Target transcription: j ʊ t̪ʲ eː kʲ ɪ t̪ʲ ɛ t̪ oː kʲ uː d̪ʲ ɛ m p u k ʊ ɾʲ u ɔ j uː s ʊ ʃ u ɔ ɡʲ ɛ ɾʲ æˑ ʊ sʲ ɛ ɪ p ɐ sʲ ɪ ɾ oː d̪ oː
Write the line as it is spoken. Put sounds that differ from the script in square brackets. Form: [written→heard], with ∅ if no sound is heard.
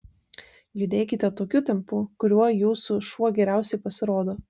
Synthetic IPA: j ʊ [t̪ʲ→d̪ʲ] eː kʲ ɪ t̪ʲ ɛ t̪ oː kʲ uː [d̪ʲ→t̪ʲ] ɛ m p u k ʊ ɾʲ u ɔ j uː s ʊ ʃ u ɔ ɡʲ ɛ ɾʲ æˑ ʊ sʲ ɛ ɪ p ɐ sʲ ɪ ɾ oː d̪ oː